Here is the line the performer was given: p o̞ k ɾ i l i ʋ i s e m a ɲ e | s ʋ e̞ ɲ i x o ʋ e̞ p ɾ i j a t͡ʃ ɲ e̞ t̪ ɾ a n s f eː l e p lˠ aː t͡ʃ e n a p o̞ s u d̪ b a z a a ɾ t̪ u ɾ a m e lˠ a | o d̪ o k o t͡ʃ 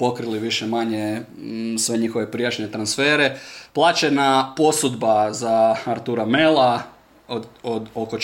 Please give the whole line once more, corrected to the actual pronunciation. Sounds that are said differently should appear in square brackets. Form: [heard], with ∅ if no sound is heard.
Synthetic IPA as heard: p o̞ k ɾ i l i ʋ i [ʃ] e m a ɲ e | s ʋ e̞ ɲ i x o ʋ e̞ p ɾ i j a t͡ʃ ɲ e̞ t̪ ɾ a n s f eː [ɾ] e p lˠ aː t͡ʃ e n a p o̞ s u d̪ b a z a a ɾ t̪ u ɾ a m e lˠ a | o d̪ o k o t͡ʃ